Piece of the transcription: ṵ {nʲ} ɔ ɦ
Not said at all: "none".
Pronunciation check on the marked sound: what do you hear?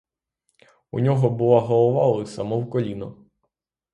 nʲ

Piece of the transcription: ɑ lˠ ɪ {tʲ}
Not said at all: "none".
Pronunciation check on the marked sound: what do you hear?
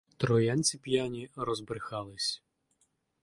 sʲ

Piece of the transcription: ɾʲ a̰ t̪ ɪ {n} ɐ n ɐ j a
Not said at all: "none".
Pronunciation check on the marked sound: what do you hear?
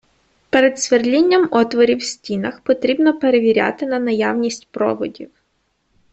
n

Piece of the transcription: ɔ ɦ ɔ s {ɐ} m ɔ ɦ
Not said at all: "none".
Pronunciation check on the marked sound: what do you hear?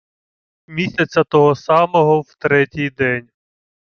ɑ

